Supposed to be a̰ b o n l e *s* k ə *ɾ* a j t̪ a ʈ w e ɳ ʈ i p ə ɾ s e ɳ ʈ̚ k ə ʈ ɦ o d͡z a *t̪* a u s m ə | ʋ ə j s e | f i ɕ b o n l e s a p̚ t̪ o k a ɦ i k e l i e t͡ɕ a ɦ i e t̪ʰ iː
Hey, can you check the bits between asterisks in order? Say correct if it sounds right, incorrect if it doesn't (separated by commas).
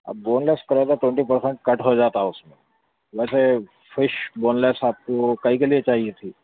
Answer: correct, correct, correct